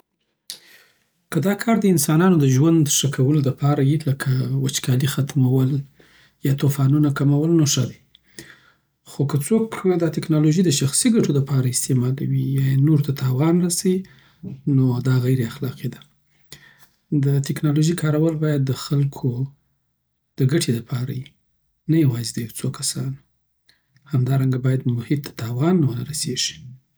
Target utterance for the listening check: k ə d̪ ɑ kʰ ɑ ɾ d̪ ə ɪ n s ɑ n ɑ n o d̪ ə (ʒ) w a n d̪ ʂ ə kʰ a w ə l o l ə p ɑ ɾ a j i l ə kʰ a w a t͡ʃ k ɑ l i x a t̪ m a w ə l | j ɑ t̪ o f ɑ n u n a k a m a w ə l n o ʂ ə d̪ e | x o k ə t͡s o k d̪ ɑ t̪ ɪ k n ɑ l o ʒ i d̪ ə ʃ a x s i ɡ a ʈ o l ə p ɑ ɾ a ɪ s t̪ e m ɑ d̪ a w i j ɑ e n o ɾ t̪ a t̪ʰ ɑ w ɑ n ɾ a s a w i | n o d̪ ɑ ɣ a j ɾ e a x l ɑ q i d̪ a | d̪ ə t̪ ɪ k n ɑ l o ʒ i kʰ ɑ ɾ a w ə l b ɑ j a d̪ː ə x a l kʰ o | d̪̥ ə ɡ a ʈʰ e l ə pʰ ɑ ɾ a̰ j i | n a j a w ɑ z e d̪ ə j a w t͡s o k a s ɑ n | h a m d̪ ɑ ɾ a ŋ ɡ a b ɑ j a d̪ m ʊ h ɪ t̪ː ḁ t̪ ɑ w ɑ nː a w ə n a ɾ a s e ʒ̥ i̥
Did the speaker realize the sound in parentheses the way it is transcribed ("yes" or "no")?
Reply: yes